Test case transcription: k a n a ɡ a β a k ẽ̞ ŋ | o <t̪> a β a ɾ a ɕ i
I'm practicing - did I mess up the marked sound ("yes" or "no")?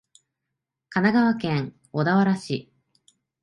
yes